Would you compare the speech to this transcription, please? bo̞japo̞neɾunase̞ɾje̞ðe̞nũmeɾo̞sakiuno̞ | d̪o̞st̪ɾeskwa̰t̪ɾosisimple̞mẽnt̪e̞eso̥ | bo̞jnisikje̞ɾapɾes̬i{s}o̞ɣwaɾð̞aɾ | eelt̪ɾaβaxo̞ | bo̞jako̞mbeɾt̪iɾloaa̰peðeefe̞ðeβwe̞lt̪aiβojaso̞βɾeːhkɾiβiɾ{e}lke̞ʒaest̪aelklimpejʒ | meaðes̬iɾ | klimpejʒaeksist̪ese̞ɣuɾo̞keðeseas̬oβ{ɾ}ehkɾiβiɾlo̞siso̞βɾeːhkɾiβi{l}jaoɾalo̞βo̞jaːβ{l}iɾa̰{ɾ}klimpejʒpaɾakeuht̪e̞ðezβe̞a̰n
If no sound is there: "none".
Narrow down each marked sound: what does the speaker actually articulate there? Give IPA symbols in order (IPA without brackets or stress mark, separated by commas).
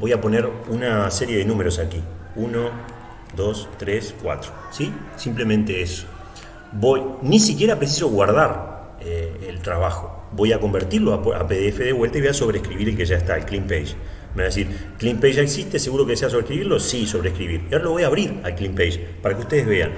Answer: s, e, ɾ, ɾ, ɾ, l